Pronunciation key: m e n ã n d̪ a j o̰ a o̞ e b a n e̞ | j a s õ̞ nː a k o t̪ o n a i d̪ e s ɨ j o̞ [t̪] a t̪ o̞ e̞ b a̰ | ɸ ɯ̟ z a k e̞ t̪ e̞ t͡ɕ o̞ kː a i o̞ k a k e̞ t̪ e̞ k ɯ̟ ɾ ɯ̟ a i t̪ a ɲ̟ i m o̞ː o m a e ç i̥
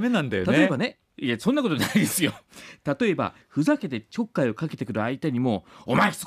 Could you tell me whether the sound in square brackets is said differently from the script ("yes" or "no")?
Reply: no